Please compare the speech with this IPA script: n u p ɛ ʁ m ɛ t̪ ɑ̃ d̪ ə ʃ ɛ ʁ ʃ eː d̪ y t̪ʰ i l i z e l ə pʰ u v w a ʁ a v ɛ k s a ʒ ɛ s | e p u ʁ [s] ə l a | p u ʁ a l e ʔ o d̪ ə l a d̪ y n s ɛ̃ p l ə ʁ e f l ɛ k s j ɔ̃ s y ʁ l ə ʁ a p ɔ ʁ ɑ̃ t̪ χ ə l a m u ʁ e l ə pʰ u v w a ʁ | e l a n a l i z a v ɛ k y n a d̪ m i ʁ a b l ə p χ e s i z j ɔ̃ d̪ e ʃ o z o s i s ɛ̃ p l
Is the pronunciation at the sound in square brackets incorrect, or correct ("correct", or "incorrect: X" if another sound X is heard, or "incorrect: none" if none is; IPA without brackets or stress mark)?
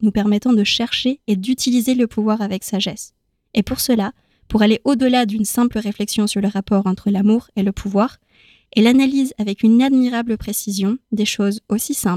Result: correct